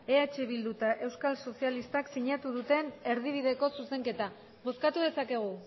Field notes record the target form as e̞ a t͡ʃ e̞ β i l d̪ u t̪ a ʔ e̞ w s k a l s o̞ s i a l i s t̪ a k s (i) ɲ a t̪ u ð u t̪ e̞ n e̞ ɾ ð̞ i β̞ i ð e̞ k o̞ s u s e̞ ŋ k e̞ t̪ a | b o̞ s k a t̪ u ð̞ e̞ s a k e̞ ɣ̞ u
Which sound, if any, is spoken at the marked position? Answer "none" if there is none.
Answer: i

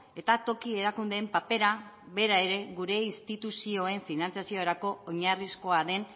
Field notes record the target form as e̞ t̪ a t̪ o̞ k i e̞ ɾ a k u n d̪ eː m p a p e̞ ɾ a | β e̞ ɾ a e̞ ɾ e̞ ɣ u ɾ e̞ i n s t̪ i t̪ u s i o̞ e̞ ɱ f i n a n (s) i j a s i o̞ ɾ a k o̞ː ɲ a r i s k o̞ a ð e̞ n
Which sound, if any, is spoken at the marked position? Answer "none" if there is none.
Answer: t͡s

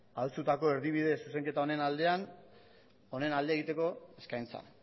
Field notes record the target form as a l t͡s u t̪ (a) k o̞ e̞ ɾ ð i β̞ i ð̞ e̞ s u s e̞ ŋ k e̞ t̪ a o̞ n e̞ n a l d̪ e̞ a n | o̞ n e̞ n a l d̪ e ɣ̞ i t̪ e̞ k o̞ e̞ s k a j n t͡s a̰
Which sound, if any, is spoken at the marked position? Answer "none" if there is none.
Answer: a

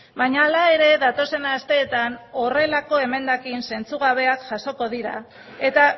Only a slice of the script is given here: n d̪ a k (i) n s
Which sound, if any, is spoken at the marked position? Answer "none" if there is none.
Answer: i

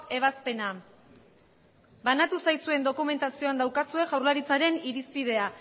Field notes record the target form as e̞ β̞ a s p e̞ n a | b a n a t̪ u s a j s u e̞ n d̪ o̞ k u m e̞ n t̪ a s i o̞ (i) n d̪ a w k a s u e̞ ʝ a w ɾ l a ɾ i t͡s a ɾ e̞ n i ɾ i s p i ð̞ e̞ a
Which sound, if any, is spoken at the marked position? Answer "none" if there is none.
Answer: a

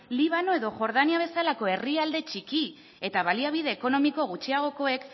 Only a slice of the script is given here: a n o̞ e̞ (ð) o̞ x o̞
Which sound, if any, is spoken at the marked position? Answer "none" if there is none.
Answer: ð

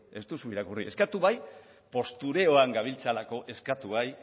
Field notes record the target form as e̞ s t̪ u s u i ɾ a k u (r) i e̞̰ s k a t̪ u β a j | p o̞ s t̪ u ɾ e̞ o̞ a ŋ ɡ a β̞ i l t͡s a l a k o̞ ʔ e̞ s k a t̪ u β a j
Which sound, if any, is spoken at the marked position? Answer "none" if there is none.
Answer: r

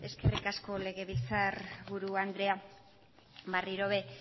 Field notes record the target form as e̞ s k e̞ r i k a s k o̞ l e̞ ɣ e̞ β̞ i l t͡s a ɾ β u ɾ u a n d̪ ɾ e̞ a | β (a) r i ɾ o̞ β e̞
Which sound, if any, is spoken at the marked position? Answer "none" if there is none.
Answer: a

